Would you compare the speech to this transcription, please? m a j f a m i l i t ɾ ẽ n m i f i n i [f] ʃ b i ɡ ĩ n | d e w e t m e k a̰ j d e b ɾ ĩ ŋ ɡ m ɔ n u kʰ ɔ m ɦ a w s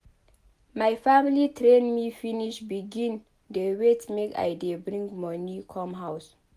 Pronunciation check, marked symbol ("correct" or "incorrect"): incorrect